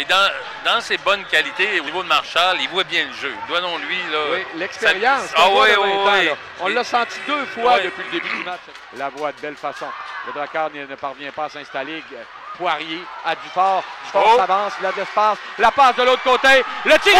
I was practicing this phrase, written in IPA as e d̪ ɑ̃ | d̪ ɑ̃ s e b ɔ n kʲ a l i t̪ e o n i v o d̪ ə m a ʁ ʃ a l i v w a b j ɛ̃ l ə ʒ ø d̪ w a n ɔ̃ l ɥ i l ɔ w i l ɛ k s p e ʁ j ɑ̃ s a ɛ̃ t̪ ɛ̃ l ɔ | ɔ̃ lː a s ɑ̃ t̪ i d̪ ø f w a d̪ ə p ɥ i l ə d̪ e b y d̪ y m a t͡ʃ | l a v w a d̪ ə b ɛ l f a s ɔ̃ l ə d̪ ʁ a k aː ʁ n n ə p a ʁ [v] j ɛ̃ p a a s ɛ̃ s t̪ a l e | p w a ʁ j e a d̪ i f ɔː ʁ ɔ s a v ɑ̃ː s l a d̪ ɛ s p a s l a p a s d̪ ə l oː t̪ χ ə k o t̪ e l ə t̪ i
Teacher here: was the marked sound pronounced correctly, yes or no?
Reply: yes